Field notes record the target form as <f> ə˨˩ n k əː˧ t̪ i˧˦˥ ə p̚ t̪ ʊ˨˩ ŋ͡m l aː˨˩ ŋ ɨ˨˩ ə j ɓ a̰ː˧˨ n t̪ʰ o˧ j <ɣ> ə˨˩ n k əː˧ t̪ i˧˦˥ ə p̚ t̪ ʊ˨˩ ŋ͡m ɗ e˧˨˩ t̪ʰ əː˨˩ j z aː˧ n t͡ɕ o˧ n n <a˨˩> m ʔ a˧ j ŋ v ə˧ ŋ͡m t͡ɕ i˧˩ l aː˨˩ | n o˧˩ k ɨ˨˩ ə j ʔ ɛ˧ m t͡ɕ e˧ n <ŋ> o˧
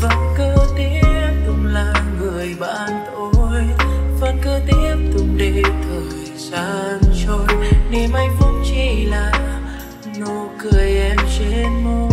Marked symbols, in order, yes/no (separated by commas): no, no, no, no